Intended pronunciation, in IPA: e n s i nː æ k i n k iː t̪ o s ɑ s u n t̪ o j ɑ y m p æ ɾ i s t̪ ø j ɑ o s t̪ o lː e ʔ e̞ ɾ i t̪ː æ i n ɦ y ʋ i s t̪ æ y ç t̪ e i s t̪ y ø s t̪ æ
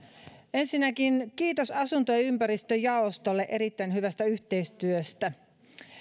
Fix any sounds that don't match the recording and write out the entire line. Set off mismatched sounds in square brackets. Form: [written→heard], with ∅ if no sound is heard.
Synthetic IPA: e n s i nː æ k i n k iː t̪ o s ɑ s u n t̪ o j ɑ y m p æ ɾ i s t̪ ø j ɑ o s t̪ o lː e ʔ e̞ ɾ i t̪ː æ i n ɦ y ʋ [i→æ] s t̪ æ y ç t̪ e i s t̪ y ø s t̪ æ